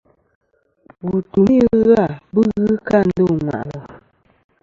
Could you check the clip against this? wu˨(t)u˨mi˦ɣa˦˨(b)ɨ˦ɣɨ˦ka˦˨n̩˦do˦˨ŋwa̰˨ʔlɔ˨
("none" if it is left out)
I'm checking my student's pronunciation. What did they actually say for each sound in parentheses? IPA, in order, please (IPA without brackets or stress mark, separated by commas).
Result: t, b